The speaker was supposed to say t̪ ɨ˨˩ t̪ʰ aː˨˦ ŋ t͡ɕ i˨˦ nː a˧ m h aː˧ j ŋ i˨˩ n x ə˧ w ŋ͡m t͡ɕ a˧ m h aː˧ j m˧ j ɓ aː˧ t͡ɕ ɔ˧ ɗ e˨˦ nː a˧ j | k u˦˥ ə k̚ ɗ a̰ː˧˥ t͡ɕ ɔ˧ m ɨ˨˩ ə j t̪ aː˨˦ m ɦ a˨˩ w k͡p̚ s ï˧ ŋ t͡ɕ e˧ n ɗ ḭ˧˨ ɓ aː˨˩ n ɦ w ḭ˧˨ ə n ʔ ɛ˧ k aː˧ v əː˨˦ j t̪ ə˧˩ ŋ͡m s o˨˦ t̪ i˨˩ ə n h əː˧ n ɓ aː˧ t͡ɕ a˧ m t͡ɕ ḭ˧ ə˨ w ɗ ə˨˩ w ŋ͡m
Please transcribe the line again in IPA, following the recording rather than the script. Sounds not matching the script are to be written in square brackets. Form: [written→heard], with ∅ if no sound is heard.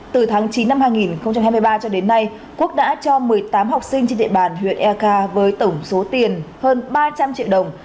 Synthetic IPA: t̪ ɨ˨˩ t̪ʰ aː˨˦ ŋ t͡ɕ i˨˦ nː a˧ m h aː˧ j ŋ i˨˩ n x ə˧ w ŋ͡m t͡ɕ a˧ m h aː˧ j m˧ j ɓ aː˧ t͡ɕ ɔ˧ ɗ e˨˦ nː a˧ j | k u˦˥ ə k̚ ɗ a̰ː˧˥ t͡ɕ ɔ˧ m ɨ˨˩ ə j t̪ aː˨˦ m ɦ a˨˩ w k͡p̚ s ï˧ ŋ t͡ɕ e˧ n ɗ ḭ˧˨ ɓ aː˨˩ n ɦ w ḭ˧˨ ə n ʔ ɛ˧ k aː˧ v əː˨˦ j t̪ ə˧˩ ŋ͡m s o˨˦ t̪ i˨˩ ə n h əː˧ n ɓ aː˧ t͡ɕ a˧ m t͡ɕ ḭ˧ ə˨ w ɗ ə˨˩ w ŋ͡m